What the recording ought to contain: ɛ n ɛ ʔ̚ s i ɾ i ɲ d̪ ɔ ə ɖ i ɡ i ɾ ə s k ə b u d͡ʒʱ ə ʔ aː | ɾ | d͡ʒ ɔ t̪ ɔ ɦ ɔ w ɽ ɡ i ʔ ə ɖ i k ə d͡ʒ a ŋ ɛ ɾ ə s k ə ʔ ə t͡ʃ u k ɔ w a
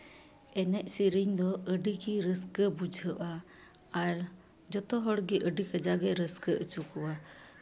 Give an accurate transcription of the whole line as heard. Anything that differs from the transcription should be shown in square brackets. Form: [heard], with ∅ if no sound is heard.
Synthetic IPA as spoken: ɛ n ɛ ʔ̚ s i ɾ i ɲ d̪ ɔ ə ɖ i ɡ i ɾ ə s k ə b u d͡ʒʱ ə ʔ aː | ɾ | d͡ʒ ɔ t̪ ɔ ɦ ɔ [∅] ɽ ɡ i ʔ ə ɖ i k ə d͡ʒ a [ɡ] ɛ ɾ ə s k ə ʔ ə t͡ʃ u k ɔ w a

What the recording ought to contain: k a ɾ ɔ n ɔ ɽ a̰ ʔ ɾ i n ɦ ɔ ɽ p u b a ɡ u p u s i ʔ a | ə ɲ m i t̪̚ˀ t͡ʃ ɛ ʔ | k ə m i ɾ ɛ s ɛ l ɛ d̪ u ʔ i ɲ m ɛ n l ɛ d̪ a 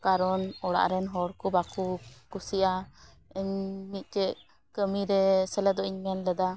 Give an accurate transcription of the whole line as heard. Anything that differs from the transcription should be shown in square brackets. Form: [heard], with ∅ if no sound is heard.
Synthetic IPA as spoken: k a ɾ ɔ n ɔ ɽ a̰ ʔ ɾ [ɛ] n ɦ ɔ ɽ [k] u b a [k] u [k] u s i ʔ a | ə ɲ m i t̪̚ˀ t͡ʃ ɛ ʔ | k ə m i ɾ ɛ s ɛ l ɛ d̪ [ɔ] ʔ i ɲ m ɛ n l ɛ d̪ a

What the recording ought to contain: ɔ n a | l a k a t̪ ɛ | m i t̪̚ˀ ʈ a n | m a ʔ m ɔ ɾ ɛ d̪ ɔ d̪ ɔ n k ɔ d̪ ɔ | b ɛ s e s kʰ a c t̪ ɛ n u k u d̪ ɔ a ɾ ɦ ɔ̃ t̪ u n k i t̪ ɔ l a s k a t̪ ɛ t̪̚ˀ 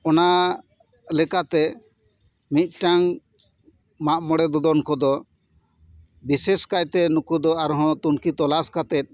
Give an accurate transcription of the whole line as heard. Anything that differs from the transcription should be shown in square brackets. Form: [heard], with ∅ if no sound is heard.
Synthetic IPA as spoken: ɔ n a | l [ɛ] k a t̪ ɛ | m i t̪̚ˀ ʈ a [ŋ] | m a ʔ m ɔ [ɽ] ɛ d̪ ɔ d̪ ɔ n k ɔ d̪ ɔ | b [i] s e s [k] a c t̪ ɛ n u k u d̪ ɔ a ɾ ɦ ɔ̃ t̪ u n k i t̪ ɔ l a s k a t̪ ɛ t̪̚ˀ

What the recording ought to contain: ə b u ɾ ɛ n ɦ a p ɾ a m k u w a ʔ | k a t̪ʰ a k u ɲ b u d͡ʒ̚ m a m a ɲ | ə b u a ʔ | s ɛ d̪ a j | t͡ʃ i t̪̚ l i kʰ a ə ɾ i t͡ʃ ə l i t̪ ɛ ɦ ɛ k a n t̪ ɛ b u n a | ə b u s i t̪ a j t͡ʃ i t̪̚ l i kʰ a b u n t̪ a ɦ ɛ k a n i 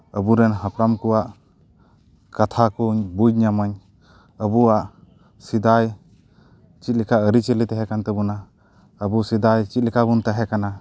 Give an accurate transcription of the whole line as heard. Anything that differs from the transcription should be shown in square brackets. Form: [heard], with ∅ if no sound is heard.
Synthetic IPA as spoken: ə b u ɾ ɛ n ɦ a p ɾ a m k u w a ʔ | k a t̪ʰ a k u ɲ b u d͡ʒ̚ [ɲ] a m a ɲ | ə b u a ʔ | s [i] d̪ a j | t͡ʃ i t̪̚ l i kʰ a ə ɾ i t͡ʃ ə l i t̪ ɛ ɦ ɛ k a n t̪ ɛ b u n a | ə b u s i [d̪] a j t͡ʃ i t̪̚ l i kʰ a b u n t̪ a ɦ ɛ k a n [a]

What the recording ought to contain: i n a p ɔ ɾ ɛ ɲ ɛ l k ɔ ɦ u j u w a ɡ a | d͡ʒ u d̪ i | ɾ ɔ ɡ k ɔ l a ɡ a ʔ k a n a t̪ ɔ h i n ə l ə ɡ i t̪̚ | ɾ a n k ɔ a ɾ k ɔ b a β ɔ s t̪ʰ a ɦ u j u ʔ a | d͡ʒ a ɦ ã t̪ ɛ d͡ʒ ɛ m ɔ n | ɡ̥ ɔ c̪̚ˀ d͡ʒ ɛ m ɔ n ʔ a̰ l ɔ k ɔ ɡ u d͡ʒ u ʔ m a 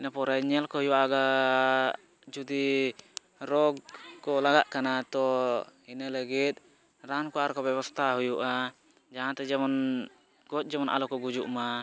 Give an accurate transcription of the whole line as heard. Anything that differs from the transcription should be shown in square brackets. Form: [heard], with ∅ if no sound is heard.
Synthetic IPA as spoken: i n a p ɔ ɾ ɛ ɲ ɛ l k ɔ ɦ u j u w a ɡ a | d͡ʒ u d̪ i | ɾ ɔ ɡ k ɔ l a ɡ a ʔ k a n a t̪ ɔ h i n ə l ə ɡ i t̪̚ | ɾ a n k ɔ a ɾ k ɔ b [ɛ] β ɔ s t̪ʰ a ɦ u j u ʔ a | d͡ʒ a ɦ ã t̪ ɛ d͡ʒ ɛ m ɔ n | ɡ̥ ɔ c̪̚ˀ d͡ʒ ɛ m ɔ n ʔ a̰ l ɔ k ɔ ɡ u d͡ʒ u ʔ m a

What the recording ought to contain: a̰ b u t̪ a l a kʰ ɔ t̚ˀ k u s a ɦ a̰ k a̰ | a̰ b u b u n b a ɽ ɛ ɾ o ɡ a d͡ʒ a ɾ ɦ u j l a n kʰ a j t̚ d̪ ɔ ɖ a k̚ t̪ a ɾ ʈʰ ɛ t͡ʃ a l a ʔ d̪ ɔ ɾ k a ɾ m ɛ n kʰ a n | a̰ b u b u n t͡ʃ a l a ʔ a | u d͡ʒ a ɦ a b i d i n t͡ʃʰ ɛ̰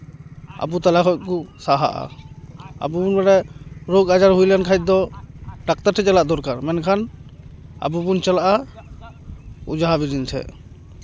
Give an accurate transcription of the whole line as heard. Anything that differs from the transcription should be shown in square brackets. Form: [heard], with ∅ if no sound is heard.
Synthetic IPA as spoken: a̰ b u t̪ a l a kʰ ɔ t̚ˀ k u s a ɦ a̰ [ʔ] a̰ | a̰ b u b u n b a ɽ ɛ ɾ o ɡ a d͡ʒ a ɾ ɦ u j l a n kʰ a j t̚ d̪ ɔ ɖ a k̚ t̪ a ɾ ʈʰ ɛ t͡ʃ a l a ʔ d̪ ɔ ɾ k a ɾ m ɛ n kʰ a n | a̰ b u b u n t͡ʃ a l a ʔ a | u d͡ʒ a ɦ a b i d i n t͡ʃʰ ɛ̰

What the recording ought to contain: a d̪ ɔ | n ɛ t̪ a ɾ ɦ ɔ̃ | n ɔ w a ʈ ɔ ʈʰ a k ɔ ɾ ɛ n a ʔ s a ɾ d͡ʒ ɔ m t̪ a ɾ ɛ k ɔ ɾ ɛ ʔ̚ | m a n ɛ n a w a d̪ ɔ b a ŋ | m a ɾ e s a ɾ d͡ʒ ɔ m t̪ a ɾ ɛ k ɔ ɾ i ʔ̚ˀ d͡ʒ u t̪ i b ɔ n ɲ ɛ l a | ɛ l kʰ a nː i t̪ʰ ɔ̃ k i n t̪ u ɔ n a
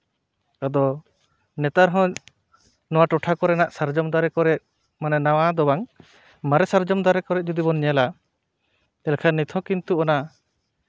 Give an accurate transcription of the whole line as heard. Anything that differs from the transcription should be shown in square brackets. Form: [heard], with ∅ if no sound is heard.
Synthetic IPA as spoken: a d̪ ɔ | n ɛ t̪ a ɾ ɦ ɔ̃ | n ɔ w a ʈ ɔ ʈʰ a k ɔ ɾ ɛ n a ʔ s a ɾ d͡ʒ ɔ m [d̪] a ɾ ɛ k ɔ ɾ ɛ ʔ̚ | m a n ɛ n a w a d̪ ɔ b a ŋ | m a ɾ [ɛ] s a ɾ d͡ʒ ɔ m [d̪] a ɾ ɛ k ɔ ɾ [ɛ] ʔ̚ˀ d͡ʒ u [d̪] i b ɔ n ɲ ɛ l a | ɛ l kʰ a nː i t̪ʰ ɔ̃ k i n t̪ u ɔ n a

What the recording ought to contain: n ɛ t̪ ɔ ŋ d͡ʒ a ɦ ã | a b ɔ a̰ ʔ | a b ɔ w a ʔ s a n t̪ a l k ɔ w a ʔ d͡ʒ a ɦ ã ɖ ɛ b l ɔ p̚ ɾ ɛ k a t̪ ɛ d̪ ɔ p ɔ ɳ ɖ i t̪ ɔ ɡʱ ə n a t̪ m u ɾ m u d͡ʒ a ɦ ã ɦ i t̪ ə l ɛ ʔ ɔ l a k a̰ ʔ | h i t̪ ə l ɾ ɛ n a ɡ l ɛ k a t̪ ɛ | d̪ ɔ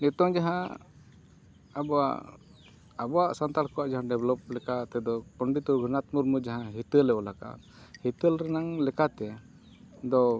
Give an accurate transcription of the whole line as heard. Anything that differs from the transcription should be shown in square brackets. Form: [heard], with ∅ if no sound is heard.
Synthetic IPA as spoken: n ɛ t̪ ɔ ŋ d͡ʒ a ɦ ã | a b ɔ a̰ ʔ | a b ɔ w a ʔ s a n t̪ a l k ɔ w a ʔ d͡ʒ a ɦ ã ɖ ɛ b l ɔ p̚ [l] ɛ k a t̪ ɛ d̪ ɔ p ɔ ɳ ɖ i t̪ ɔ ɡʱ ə n a t̪ m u ɾ m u d͡ʒ a ɦ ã ɦ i t̪ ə l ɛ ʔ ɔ l a k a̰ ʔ | h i t̪ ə l ɾ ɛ n a [ŋ] l ɛ k a t̪ ɛ | d̪ ɔ

